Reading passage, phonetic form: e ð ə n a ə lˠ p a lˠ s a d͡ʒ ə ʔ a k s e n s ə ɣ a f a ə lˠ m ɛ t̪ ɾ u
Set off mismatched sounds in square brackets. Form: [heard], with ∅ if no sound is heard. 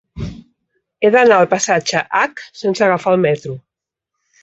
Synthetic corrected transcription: e ð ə n a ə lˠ p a [∅] s a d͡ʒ ə ʔ a k s e n s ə ɣ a f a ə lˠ m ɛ t̪ ɾ u